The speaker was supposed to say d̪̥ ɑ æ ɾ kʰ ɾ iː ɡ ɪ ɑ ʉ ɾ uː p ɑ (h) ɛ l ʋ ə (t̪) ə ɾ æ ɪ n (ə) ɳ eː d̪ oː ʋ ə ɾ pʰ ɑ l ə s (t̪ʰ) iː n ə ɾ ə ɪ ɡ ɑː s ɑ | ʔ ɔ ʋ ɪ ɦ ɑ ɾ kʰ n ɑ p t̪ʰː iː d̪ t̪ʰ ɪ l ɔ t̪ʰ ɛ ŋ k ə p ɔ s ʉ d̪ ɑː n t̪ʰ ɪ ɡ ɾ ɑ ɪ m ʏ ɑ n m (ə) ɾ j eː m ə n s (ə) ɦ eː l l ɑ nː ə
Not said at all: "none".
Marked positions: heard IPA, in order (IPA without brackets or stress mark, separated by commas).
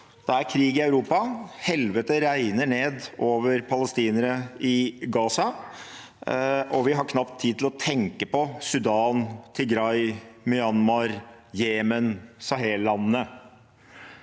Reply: h, t̪, ə, t̪, ɑ, ɑ